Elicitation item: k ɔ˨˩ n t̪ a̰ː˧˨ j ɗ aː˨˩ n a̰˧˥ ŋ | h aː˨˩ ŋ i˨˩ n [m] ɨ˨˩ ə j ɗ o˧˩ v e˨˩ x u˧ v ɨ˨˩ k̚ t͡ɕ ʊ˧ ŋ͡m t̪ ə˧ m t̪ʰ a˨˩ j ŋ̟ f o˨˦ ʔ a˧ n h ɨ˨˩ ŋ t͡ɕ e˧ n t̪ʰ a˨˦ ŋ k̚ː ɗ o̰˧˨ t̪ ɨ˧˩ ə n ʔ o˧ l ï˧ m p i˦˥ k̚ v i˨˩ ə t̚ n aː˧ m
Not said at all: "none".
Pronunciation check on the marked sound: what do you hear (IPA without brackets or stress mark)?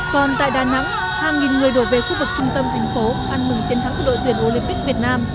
ŋ